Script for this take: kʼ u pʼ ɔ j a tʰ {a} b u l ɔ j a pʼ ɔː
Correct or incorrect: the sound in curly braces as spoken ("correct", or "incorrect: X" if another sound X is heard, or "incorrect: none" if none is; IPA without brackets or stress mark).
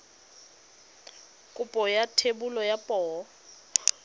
incorrect: e